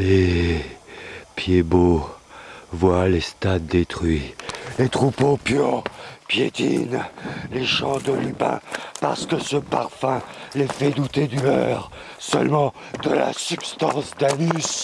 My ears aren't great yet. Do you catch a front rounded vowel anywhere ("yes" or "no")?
yes